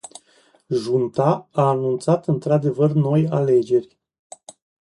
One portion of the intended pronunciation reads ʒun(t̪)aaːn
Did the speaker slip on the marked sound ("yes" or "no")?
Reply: no